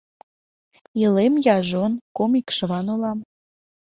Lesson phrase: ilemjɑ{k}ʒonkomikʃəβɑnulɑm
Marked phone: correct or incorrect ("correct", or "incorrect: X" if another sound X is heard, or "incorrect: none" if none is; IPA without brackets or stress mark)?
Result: incorrect: none